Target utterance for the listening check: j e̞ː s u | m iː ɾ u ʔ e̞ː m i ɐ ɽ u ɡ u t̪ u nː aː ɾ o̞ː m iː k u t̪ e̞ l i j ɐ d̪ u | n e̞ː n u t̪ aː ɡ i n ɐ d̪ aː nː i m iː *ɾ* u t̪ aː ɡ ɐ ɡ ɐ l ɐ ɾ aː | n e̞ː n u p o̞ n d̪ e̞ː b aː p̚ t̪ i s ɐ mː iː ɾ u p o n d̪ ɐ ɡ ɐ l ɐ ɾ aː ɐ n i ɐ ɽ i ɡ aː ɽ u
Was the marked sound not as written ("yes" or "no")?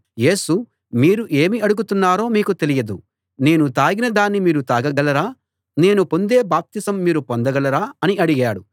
no